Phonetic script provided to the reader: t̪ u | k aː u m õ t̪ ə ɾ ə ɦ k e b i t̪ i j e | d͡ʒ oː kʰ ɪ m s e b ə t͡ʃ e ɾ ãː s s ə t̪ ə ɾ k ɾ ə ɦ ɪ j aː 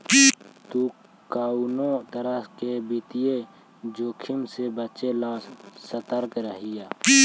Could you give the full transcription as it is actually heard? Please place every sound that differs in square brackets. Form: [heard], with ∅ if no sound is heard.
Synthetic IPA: t̪ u | k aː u [n] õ t̪ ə ɾ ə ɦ k e b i t̪ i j e | d͡ʒ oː kʰ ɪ m s e b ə t͡ʃ e [l] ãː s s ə t̪ ə ɾ k ɾ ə ɦ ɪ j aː